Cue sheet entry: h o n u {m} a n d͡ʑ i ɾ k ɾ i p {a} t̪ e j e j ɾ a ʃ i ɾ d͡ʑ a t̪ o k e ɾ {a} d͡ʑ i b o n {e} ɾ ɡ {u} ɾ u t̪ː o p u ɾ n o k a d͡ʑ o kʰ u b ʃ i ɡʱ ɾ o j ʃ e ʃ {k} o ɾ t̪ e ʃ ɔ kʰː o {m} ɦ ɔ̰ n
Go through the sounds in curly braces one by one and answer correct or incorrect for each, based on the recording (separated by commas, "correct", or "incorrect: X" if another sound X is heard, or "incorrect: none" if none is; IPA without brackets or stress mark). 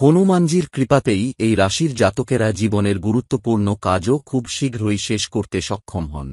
correct, correct, correct, correct, correct, correct, correct